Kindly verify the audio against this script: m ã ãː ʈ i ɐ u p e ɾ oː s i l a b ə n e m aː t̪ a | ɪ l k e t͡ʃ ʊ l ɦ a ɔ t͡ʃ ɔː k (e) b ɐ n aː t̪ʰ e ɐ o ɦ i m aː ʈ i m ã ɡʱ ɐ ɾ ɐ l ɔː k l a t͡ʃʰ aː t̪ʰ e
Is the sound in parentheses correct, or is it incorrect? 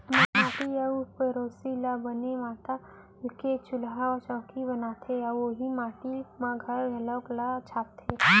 incorrect